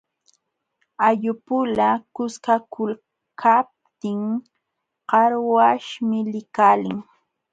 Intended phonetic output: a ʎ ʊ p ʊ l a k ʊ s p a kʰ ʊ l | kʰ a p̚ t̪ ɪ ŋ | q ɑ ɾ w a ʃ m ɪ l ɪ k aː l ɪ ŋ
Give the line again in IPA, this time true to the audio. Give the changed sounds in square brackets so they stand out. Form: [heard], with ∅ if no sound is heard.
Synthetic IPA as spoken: a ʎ ʊ p ʊ l a k ʊ s [k] a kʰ ʊ l | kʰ a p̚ t̪ ɪ ŋ | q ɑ ɾ w a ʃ m ɪ l ɪ k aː l ɪ ŋ